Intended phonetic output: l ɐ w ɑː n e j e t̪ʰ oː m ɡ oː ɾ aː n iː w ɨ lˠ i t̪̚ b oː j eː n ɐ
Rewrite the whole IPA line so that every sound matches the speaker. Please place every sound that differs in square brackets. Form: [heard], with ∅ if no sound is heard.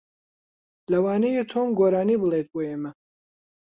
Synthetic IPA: l ɐ w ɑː n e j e t̪ʰ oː m ɡ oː ɾ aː n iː [b] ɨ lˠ [e] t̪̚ b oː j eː [m] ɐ